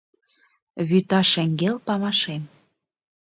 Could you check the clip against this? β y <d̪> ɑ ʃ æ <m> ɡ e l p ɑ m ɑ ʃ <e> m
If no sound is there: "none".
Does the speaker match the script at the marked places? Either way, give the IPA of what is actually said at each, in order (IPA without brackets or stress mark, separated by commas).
t̪, ŋ, e